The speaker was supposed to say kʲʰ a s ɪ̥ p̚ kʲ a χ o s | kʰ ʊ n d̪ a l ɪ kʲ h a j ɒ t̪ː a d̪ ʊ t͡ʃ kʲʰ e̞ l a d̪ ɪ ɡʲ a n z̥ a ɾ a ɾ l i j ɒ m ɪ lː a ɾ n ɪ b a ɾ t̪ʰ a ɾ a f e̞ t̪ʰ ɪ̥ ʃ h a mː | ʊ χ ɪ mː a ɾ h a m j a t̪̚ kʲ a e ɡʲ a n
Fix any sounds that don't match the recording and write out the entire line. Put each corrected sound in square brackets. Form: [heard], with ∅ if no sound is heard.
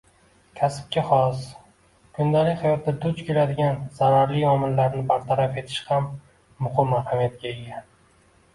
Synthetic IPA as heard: kʲʰ a s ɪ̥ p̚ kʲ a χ [ɒ] s | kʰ ʊ n d̪ a l ɪ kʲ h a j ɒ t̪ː a d̪ ʊ t͡ʃ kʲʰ e̞ l a d̪ ɪ ɡʲ a n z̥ a ɾ a ɾ l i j ɒ m ɪ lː a ɾ n ɪ b a ɾ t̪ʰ a ɾ a f e̞ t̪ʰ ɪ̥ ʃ h a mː | ʊ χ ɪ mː a ɾ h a m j a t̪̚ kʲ a e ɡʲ a n